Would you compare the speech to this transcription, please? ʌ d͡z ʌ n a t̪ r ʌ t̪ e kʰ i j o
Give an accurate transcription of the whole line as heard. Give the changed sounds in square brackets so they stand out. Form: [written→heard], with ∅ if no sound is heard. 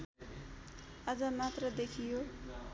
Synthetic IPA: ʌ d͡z ʌ [n→m] a t̪ r ʌ [t̪→d̪] e kʰ i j o